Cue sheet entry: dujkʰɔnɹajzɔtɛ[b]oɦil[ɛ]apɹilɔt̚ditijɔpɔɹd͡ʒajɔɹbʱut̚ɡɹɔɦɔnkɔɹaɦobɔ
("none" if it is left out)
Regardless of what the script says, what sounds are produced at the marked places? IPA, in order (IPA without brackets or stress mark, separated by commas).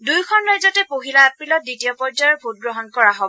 p, a